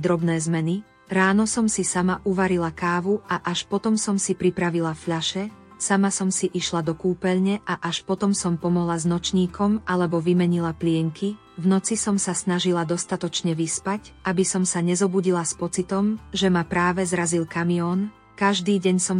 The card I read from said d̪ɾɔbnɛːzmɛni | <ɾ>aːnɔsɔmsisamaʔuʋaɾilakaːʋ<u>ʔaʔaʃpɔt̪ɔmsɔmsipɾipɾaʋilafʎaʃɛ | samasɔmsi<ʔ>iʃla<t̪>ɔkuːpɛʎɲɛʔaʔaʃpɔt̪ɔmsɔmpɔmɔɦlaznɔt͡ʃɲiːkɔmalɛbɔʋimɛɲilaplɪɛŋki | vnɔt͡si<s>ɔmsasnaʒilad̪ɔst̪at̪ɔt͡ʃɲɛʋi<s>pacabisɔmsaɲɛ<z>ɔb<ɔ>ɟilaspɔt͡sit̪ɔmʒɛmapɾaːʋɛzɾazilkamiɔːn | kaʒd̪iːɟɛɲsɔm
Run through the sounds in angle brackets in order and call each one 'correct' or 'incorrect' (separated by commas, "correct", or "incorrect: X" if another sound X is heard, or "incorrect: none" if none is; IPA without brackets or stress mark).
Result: correct, correct, correct, incorrect: d̪, correct, correct, correct, incorrect: u